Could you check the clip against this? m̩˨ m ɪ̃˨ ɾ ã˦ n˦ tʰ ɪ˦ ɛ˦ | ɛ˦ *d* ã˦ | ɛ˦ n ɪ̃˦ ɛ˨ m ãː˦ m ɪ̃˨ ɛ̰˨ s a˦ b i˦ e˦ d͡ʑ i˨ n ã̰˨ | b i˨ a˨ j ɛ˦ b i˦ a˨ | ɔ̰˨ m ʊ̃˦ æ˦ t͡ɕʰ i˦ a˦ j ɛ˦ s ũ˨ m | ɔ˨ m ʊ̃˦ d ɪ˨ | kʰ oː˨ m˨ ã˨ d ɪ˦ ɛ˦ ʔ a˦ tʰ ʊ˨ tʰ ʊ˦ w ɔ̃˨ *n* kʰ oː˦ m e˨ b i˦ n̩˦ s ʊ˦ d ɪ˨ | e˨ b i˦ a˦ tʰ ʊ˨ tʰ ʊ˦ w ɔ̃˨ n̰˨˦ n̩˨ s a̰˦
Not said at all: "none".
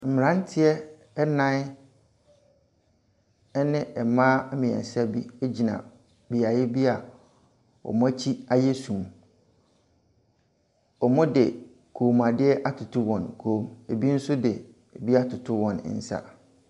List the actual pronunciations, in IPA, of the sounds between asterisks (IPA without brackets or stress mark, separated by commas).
n, n